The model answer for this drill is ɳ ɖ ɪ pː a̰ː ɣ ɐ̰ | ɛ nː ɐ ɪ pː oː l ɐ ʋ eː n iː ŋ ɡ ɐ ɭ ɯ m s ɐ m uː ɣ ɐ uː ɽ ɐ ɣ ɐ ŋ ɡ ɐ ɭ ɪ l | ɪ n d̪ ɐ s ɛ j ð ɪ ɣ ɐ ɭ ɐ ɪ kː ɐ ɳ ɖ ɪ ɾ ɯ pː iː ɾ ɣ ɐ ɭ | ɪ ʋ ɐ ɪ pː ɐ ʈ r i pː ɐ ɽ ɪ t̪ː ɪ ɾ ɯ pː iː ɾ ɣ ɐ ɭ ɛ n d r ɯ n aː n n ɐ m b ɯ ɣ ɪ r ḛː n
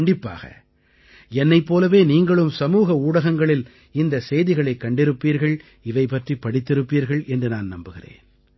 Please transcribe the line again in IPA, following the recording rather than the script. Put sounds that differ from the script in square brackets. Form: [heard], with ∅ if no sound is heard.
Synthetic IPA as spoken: ɳ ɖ ɪ pː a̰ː ɣ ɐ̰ | ɛ nː ɐ ɪ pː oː l ɐ ʋ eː n iː ŋ ɡ ɐ ɭ ɯ m s ɐ m uː ɣ ɐ uː ɽ ɐ ɣ ɐ ŋ ɡ ɐ ɭ ɪ l | ɪ n d̪ ɐ s ɛ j ð ɪ ɣ ɐ ɭ ɐ ɪ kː ɐ ɳ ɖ ɪ ɾ ɯ pː iː ɾ ɣ ɐ ɭ | ɪ ʋ ɐ ɪ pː ɐ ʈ r i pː ɐ ɽ ɪ t̪ː ɪ ɾ ɯ pː iː ɾ ɣ ɐ ɭ ɛ n d r ɯ n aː n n ɐ m b ɯ ɣ ɪ r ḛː n